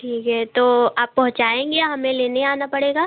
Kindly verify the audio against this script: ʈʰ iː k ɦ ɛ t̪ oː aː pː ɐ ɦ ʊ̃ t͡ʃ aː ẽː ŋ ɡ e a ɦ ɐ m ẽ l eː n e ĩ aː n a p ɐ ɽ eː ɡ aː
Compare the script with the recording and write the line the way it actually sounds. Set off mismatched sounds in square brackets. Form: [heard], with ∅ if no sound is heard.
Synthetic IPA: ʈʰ iː k ɦ ɛ t̪ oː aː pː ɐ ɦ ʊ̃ t͡ʃ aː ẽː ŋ ɡ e a ɦ ɐ m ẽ l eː n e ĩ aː n a p ɐ ɽ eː ɡ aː